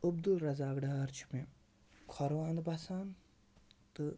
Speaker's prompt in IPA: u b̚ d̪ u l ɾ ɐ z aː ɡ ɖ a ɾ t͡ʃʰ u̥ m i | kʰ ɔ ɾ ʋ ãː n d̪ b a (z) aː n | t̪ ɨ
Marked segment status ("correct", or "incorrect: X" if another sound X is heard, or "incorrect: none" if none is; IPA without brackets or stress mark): incorrect: s